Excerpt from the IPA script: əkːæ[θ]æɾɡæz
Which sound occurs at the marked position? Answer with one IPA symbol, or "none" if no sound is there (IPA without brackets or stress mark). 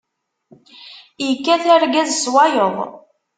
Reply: θ